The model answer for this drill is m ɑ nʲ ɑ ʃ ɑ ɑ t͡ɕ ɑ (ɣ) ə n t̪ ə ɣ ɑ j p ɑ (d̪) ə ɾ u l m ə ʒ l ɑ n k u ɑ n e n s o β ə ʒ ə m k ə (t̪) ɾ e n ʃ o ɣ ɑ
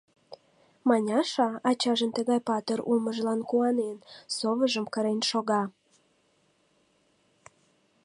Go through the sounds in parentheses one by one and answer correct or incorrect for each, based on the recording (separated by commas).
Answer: incorrect, incorrect, incorrect